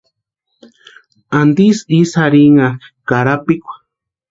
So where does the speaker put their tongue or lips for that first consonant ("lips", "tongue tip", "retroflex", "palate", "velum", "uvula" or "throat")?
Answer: tongue tip